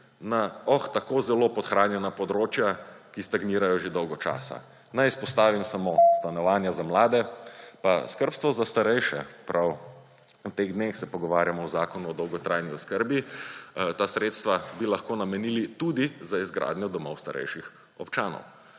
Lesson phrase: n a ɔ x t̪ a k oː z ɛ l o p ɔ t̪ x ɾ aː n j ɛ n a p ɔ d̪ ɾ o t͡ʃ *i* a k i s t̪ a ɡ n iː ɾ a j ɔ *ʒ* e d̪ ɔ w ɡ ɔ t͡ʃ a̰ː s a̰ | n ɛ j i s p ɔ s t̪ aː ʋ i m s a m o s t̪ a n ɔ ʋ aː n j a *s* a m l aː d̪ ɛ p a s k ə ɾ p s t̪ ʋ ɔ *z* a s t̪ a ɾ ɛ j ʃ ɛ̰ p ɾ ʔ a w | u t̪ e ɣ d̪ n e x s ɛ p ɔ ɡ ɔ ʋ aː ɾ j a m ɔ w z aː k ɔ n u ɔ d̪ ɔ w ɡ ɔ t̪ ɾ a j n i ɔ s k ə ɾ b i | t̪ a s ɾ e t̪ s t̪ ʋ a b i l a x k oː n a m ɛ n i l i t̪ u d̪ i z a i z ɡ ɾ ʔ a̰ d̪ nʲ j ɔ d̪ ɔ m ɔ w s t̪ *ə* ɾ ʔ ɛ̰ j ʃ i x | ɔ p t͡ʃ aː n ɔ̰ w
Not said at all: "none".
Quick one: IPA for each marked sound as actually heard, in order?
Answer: j, ʒ, z, z, a

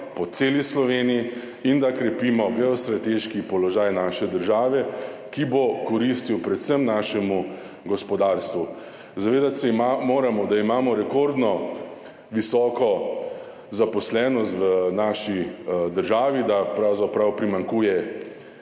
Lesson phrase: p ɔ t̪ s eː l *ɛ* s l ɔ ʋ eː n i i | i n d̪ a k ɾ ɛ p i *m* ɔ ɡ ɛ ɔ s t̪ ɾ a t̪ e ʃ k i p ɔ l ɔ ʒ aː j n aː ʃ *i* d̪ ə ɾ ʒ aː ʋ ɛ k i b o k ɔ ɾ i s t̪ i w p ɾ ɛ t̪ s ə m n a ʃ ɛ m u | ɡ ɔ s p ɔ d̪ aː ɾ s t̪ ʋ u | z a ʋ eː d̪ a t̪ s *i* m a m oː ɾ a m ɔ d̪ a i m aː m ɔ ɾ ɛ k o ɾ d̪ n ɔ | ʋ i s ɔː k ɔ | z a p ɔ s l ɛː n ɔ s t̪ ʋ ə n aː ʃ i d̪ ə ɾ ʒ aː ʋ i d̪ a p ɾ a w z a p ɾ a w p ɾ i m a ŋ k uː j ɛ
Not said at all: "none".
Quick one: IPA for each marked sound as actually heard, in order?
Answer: i, m, ɛ, ɛ

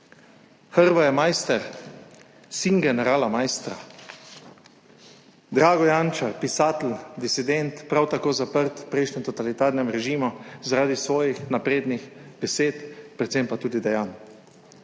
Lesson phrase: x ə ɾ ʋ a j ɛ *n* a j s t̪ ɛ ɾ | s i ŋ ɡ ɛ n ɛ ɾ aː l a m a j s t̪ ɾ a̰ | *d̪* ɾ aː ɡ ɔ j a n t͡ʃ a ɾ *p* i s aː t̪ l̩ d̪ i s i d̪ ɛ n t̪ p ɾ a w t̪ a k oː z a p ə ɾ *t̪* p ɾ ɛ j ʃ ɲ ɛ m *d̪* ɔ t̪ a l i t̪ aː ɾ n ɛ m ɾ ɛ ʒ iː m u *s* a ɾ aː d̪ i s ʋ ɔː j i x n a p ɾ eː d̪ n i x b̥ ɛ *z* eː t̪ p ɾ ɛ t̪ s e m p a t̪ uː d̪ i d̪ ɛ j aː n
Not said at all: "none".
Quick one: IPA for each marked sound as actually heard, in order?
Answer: m, d̪, p, t̪, t̪, z, s

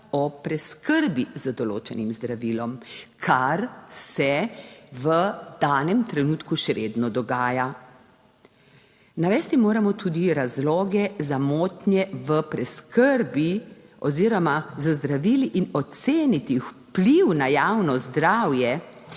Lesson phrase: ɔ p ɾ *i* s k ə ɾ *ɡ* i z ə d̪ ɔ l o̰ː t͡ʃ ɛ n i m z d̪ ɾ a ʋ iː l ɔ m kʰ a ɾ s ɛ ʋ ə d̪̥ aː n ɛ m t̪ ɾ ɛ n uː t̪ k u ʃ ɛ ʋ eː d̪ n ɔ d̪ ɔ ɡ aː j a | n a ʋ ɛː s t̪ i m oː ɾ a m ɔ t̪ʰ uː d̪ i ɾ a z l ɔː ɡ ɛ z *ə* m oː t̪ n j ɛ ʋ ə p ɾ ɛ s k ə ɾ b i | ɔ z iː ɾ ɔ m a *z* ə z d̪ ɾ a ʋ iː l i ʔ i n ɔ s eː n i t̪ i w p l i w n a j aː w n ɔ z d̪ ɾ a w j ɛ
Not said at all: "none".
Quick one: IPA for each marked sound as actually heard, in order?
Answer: ɛ, b, a, z

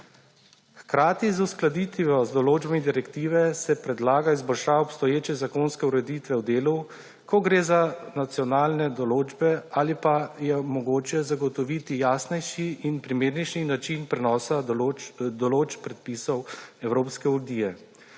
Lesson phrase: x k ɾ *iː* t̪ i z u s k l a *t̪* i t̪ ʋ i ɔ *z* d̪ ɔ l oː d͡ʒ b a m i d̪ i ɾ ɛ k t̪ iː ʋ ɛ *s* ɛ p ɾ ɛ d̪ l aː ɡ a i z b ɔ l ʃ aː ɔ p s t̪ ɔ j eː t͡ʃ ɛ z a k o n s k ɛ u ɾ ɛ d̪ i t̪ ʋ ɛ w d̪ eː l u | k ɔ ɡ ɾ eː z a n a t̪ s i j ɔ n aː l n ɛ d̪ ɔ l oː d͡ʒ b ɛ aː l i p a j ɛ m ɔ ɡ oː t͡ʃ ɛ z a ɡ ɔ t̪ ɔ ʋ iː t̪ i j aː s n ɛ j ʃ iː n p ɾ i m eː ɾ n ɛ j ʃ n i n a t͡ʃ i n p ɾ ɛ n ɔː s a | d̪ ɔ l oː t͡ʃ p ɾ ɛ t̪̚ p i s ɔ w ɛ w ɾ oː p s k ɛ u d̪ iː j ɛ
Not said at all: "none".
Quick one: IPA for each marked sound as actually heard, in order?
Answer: aː, d̪, z, s

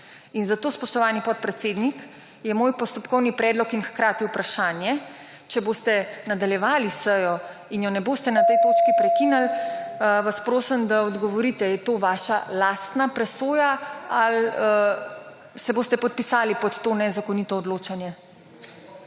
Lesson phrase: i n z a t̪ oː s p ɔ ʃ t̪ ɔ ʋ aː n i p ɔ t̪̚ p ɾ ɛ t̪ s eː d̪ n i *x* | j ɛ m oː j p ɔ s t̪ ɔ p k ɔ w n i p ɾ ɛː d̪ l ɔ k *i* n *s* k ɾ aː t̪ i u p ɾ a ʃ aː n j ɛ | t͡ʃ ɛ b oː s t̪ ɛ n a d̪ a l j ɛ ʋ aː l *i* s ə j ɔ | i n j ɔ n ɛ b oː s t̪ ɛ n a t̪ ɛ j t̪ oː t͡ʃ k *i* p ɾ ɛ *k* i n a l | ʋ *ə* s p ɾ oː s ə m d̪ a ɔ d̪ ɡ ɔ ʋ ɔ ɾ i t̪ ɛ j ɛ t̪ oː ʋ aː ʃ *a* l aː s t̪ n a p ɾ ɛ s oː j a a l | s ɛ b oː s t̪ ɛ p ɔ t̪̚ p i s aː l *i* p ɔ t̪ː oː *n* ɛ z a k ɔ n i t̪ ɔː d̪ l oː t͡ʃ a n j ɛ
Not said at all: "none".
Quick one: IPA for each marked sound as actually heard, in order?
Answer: k, i, x, i, i, k, a, a, i, n

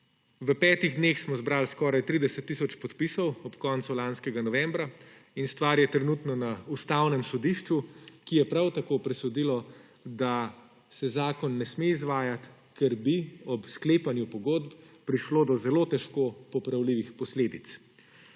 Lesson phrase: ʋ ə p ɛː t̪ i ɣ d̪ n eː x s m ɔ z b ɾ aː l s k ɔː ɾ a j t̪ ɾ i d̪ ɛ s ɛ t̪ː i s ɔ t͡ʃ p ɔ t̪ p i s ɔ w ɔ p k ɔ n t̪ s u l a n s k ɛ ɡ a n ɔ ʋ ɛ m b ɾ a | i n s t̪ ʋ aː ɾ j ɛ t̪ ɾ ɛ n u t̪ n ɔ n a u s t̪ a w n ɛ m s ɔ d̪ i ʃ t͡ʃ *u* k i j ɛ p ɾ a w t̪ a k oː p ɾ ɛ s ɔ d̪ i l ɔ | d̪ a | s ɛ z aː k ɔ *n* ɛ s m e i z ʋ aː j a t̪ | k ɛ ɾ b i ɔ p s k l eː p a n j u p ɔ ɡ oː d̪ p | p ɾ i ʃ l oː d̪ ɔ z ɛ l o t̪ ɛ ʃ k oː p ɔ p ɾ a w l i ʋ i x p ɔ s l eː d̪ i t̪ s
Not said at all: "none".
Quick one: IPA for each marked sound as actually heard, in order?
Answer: u, nː

